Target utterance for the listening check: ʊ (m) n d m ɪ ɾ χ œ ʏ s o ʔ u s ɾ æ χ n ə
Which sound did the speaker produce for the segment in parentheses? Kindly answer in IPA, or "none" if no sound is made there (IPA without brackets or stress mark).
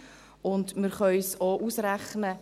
none